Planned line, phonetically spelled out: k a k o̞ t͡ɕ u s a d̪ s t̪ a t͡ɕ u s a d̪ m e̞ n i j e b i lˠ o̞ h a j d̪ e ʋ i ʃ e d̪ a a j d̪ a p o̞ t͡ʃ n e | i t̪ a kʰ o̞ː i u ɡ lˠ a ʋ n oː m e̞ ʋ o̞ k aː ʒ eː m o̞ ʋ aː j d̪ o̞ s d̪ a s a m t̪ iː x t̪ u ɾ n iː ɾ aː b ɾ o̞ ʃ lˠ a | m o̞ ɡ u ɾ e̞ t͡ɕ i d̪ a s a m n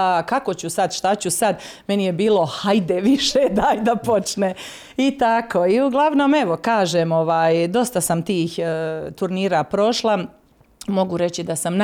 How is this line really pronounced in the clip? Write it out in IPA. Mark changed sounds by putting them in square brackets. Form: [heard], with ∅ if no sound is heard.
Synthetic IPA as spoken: k a k o̞ t͡ɕ u s a d̪ [ʃ] t̪ a t͡ɕ u s a d̪ m e̞ n i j e b [iː] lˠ o̞ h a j d̪ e ʋ i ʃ e d̪ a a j d̪ a p o̞ t͡ʃ n e | i t̪ a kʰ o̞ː i u ɡ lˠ a ʋ n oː m e̞ ʋ o̞ k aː ʒ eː m o̞ ʋ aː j d̪ o̞ s [t̪] a s a m t̪ iː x t̪ u ɾ n iː ɾ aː [p] ɾ o̞ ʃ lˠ a | m o̞ ɡ u ɾ e̞ t͡ɕ i d̪ a s a m n